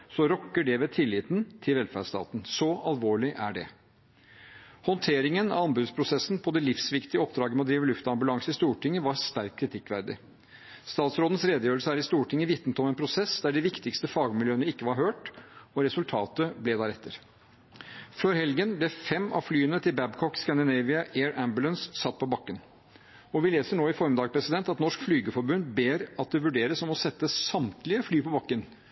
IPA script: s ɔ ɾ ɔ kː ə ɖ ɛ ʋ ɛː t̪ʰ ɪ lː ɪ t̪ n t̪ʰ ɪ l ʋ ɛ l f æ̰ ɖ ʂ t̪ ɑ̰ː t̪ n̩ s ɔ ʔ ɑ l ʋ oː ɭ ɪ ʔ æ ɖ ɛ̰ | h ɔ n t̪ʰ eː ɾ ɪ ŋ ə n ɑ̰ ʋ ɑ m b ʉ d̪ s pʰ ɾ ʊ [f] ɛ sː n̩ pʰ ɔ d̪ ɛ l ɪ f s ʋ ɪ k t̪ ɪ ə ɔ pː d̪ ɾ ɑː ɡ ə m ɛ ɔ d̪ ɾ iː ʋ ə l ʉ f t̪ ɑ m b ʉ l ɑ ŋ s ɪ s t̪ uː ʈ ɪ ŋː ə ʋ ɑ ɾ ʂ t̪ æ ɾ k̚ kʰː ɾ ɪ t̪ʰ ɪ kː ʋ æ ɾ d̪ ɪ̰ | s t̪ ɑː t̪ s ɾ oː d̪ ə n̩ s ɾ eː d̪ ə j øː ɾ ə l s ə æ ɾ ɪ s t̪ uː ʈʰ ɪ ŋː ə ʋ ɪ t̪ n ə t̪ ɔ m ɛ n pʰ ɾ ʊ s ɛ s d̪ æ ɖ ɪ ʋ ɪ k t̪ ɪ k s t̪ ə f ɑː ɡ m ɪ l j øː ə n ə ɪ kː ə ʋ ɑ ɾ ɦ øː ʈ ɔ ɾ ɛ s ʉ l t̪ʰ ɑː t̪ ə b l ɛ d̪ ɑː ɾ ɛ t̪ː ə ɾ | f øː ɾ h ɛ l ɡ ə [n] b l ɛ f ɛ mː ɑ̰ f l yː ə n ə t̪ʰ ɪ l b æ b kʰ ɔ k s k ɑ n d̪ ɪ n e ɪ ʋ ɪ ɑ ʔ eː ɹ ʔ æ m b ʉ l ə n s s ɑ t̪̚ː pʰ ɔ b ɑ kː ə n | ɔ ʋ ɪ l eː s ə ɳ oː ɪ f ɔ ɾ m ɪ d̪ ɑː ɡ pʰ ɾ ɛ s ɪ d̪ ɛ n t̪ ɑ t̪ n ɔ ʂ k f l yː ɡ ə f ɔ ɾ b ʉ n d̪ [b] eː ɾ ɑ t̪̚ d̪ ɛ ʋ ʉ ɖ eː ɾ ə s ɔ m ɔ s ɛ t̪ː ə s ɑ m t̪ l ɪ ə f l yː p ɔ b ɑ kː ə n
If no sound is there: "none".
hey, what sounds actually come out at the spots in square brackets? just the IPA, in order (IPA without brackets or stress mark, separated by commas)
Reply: s, n, b